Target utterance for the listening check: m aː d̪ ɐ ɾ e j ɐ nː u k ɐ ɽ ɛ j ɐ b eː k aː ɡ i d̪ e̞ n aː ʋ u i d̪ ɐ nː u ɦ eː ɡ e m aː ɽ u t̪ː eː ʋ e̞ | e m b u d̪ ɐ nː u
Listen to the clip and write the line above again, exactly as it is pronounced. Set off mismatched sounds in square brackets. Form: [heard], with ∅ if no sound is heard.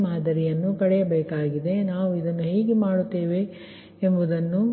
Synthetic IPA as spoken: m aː d̪ ɐ ɾ [i] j ɐ nː u k ɐ ɽ ɛ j ɐ b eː k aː ɡ i d̪ e̞ n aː ʋ u i d̪ ɐ nː u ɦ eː ɡ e m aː ɽ u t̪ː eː ʋ e̞ | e m b u d̪ ɐ nː u